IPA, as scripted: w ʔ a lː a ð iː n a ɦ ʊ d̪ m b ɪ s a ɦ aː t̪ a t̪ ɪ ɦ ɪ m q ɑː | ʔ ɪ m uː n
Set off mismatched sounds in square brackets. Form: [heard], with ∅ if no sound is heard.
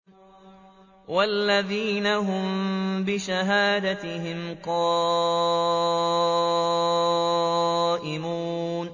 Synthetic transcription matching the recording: w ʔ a lː a ð iː n a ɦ ʊ [∅] m b ɪ [ʃ] a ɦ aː [d̪] a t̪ ɪ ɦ ɪ m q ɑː | ʔ ɪ m uː n